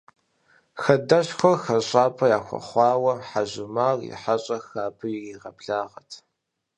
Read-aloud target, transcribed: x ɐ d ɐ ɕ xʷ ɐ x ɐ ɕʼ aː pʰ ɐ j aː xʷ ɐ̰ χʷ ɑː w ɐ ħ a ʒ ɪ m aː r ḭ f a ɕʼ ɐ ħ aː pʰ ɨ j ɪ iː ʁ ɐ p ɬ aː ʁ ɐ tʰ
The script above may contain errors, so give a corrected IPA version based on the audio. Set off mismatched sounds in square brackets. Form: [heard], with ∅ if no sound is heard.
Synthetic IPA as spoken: x ɐ d ɐ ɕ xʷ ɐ x ɐ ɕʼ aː pʰ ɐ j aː xʷ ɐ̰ χʷ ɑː w ɐ ħ a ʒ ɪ m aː r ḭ [ħ] a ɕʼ ɐ [x] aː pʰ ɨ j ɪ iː ʁ ɐ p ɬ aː ʁ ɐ tʰ